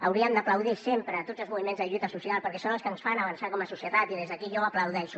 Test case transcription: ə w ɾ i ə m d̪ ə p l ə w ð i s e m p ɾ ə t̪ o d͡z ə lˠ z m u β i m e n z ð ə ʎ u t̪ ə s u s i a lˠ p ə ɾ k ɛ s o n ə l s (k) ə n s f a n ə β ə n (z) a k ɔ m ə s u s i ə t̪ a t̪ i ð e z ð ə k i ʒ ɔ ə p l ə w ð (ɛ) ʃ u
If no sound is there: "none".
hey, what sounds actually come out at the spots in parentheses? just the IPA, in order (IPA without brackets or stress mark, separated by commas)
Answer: k, s, ɛ